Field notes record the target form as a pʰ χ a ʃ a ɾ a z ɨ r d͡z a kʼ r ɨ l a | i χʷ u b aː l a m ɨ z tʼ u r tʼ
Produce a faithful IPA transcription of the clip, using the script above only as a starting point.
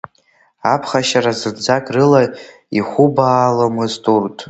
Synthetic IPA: a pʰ χ a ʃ a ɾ a z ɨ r d͡z a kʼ r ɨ l a | i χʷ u b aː l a m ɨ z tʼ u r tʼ